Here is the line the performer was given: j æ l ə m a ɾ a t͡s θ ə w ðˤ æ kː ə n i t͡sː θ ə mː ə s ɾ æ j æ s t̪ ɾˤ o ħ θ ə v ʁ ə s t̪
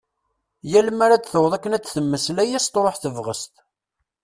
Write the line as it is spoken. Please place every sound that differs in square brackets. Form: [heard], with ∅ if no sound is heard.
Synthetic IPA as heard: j æ l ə m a ɾ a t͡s θ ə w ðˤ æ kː ə n [æ] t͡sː θ ə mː ə s [l] æ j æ s t̪ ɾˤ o ħ θ ə v ʁ ə s t̪